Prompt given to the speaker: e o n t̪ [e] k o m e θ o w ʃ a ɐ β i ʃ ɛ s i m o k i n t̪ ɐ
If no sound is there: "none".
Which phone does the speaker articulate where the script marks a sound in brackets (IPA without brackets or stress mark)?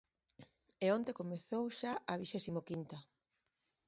e